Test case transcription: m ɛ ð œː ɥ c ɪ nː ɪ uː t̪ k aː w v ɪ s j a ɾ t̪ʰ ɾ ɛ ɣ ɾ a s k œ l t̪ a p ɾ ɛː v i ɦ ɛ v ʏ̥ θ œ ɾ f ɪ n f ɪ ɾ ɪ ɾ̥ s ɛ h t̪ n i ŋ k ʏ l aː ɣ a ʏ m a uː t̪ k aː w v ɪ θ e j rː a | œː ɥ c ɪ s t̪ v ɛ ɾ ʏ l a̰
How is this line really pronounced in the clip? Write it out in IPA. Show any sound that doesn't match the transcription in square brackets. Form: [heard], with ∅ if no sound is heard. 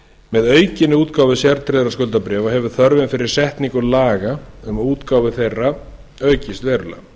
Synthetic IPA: m ɛ ð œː ɥ c ɪ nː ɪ uː t̪ k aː w v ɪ s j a ɾ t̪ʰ ɾ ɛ [ð] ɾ a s k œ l t̪ a p ɾ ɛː v [a] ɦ ɛ v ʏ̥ θ œ ɾ [v] ɪ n f ɪ ɾ ɪ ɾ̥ s ɛ h t̪ n i ŋ k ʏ l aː ɣ a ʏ m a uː t̪ k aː w v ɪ θ e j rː a | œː ɥ c ɪ s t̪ v ɛ ɾ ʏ l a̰